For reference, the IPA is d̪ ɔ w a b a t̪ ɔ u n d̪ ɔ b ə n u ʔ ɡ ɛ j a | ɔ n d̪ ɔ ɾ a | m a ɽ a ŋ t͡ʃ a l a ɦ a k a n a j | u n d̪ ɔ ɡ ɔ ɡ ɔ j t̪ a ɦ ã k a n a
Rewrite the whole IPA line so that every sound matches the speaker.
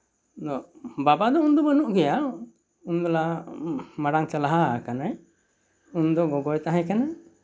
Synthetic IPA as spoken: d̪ ɔ b a b a d̪ ɔ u n d̪ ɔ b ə n u ʔ ɡ ɛ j a | u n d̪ ɔ l a | m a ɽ a ŋ t͡ʃ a l a ɦ a k a n a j | u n d̪ ɔ ɡ ɔ ɡ ɔ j t̪ a ɦ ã k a n a